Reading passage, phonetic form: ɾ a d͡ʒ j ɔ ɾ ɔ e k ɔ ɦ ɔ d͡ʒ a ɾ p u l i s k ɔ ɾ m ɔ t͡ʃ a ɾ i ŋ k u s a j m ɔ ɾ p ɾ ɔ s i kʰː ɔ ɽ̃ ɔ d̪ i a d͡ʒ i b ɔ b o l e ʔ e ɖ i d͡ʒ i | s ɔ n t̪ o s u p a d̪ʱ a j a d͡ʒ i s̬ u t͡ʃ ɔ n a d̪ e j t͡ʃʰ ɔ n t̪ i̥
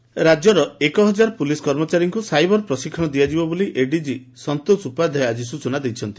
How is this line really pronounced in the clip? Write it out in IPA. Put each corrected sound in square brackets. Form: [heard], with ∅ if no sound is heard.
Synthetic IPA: ɾ a d͡ʒ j ɔ ɾ ɔ e k ɔ ɦ ɔ d͡ʒ a ɾ p u l i s k ɔ ɾ m ɔ t͡ʃ a ɾ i ŋ k u s a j [b] ɔ ɾ p ɾ ɔ s i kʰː ɔ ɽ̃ ɔ d̪ i a d͡ʒ i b ɔ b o l [i] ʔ e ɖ i d͡ʒ i | s ɔ n t̪ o s u p a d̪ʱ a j a d͡ʒ i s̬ u t͡ʃ ɔ n a d̪ e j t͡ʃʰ ɔ n t̪ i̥

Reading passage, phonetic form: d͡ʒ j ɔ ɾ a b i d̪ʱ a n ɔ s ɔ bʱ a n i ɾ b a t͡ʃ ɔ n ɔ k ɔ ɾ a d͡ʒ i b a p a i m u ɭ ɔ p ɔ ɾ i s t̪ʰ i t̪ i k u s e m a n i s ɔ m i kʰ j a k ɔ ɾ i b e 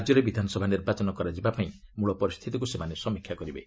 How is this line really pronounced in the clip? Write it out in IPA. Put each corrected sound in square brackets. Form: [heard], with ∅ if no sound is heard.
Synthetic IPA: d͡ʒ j ɔ ɾ [e] b i d̪ʱ a n ɔ s ɔ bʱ a n i ɾ b a t͡ʃ ɔ n ɔ k ɔ ɾ a d͡ʒ i b a p a [ĩ] m u ɭ ɔ p ɔ ɾ i s t̪ʰ i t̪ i k u s e m a n [e] s ɔ m i kʰ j a k ɔ ɾ i b e

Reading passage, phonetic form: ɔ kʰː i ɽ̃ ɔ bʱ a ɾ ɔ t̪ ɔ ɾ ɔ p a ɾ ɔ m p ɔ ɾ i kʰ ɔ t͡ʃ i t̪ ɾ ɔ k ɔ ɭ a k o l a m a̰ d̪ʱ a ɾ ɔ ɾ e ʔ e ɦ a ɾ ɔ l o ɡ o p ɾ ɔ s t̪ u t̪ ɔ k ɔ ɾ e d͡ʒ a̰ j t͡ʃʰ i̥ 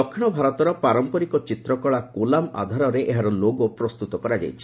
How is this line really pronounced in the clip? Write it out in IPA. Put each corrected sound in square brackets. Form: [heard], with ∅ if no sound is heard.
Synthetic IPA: ɔ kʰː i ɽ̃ ɔ bʱ a ɾ ɔ t̪ ɔ ɾ ɔ p a ɾ ɔ m p ɔ ɾ i [k] ɔ t͡ʃ i t̪ ɾ ɔ k ɔ ɭ a k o l a m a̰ d̪ʱ a ɾ ɔ ɾ e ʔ e ɦ a ɾ ɔ l o ɡ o p ɾ ɔ s t̪ u t̪ ɔ k ɔ ɾ [a] d͡ʒ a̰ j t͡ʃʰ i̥

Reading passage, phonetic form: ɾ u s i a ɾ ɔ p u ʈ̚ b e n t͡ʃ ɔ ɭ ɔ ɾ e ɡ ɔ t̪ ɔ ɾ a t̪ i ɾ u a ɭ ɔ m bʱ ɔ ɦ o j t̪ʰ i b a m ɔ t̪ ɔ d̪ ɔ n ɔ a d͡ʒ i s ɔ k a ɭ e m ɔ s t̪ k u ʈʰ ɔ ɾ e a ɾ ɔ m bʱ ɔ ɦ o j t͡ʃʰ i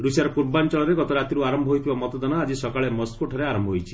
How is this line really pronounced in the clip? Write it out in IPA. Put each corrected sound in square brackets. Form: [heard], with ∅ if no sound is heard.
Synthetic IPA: ɾ u s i a ɾ ɔ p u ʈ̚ b [a] n t͡ʃ ɔ ɭ ɔ ɾ e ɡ ɔ t̪ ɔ ɾ a t̪ i ɾ u a [ɾ] ɔ m bʱ ɔ ɦ o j t̪ʰ i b a m ɔ t̪ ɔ d̪ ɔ n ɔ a d͡ʒ i s ɔ k a ɭ e m ɔ s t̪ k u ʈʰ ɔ ɾ e a ɾ ɔ m bʱ ɔ ɦ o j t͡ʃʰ i

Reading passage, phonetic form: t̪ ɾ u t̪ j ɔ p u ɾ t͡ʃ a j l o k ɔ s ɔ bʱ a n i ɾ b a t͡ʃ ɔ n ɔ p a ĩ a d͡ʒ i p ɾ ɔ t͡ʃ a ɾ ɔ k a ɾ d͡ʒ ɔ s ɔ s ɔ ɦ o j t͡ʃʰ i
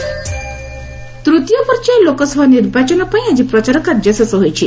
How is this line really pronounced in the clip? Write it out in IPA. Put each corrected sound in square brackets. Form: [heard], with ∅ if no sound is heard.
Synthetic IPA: t̪ ɾ u t̪ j ɔ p [ɔ] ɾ t͡ʃ a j l o k ɔ s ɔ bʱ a n i ɾ b a t͡ʃ ɔ n ɔ p a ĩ a d͡ʒ i p ɾ ɔ t͡ʃ a ɾ ɔ k a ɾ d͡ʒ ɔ s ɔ s ɔ ɦ o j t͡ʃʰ i

